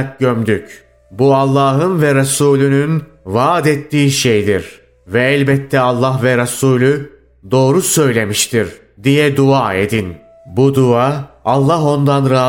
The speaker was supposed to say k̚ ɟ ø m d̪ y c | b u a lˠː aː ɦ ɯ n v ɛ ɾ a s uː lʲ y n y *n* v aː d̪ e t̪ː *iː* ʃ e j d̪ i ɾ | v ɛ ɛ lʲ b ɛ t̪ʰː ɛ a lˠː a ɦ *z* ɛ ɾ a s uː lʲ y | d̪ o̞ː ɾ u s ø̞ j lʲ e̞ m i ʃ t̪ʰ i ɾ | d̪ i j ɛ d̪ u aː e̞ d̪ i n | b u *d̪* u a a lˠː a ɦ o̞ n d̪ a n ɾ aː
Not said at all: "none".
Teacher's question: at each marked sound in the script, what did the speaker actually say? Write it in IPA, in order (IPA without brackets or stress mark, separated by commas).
n, iː, v, d̪